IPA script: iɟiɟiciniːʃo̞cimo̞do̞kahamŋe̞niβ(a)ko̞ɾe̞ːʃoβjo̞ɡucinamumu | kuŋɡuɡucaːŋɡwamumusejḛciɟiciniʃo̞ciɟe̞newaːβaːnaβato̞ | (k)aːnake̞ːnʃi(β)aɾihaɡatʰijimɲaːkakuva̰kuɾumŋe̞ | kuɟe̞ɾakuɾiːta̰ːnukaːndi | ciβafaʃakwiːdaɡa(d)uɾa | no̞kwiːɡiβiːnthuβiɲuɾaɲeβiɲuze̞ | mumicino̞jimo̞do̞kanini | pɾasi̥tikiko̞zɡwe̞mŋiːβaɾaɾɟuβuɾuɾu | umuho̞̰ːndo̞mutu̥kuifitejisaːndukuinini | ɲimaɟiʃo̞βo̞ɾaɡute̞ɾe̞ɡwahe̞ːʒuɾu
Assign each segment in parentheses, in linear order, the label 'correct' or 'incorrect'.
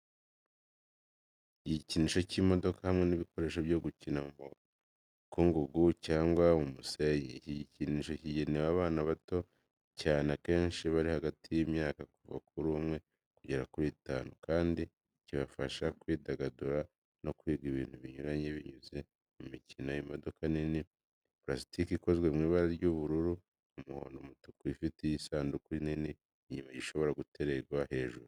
incorrect: i, incorrect: c, correct, correct

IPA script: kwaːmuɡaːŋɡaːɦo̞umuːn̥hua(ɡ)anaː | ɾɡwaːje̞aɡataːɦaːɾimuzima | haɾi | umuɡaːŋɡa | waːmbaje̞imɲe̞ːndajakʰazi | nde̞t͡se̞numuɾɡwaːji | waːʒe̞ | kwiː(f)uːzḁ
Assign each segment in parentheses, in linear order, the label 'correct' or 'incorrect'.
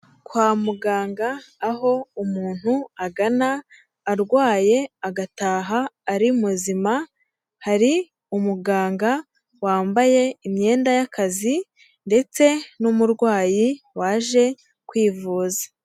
correct, incorrect: v

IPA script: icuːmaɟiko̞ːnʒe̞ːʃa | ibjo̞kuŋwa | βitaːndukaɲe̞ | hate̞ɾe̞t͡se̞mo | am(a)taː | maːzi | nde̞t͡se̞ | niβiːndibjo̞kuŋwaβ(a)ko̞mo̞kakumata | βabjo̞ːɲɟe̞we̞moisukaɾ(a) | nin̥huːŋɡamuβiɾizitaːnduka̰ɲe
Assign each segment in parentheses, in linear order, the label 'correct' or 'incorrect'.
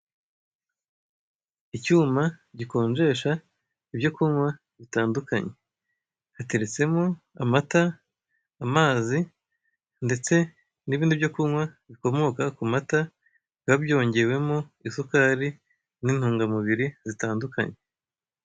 correct, incorrect: i, incorrect: i

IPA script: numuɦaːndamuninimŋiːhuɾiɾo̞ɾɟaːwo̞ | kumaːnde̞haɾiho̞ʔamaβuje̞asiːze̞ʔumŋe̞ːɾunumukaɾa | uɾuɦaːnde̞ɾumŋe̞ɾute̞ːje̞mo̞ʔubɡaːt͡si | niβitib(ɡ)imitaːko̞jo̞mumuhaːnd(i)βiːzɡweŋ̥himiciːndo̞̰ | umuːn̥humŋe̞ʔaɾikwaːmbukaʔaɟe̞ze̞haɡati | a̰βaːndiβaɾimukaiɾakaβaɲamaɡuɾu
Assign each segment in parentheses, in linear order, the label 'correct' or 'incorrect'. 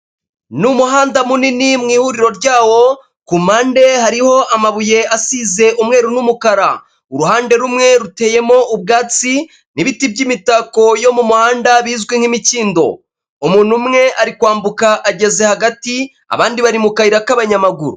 incorrect: ɟ, incorrect: a

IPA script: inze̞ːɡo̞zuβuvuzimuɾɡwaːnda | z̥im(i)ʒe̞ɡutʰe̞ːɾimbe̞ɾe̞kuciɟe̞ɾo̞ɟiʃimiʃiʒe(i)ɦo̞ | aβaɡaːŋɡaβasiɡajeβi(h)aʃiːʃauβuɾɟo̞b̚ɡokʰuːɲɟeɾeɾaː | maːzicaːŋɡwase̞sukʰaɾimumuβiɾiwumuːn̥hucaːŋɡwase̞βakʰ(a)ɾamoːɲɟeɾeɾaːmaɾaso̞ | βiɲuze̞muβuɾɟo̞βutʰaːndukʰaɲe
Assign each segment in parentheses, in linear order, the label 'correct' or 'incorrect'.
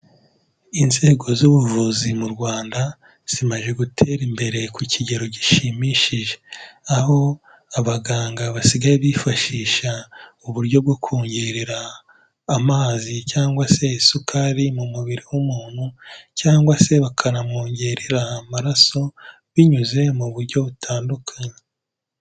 incorrect: a, incorrect: a, incorrect: f, correct

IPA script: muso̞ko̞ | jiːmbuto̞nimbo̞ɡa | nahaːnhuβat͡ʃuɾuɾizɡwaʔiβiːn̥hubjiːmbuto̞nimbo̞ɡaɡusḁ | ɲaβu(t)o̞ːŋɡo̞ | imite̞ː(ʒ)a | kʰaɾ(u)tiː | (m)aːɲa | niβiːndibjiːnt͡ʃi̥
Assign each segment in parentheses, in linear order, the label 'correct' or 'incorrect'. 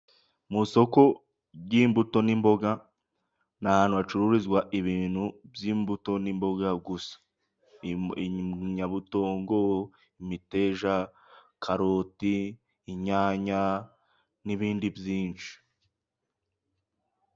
correct, correct, incorrect: o, incorrect: ɲ

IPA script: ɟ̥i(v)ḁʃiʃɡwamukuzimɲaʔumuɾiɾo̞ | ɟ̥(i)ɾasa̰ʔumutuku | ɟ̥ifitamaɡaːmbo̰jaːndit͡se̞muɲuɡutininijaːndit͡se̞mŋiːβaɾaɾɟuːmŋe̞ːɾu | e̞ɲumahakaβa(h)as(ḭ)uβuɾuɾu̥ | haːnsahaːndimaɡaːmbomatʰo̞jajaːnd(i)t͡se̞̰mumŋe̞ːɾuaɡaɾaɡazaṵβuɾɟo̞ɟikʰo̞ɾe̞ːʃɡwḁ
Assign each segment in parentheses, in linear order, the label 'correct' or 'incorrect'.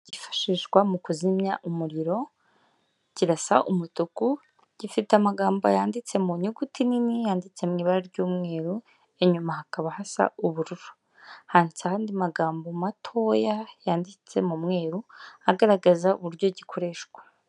incorrect: f, correct, correct, incorrect: a̰, correct

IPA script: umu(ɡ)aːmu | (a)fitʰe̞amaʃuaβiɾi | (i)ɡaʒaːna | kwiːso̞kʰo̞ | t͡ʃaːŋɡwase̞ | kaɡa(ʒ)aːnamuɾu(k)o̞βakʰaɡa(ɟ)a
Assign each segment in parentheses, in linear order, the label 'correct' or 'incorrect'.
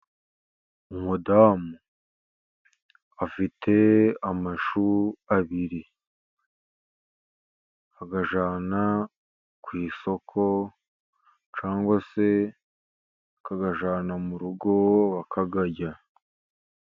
incorrect: d, correct, incorrect: a, correct, incorrect: ɡ, correct

